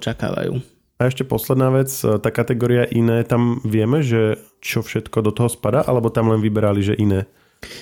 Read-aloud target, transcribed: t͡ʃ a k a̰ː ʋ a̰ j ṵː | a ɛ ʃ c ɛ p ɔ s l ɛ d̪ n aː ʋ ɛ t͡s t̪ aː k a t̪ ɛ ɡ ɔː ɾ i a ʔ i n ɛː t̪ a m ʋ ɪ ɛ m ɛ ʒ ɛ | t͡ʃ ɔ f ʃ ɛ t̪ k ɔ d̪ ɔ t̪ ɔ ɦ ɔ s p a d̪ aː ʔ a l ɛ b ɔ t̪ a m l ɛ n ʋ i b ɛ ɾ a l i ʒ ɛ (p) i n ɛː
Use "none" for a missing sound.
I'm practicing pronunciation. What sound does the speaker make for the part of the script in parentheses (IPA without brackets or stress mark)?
ʔ